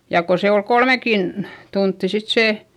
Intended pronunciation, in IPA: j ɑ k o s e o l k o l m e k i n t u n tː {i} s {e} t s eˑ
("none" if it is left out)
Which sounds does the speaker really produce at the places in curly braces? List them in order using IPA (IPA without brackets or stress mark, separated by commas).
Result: i, i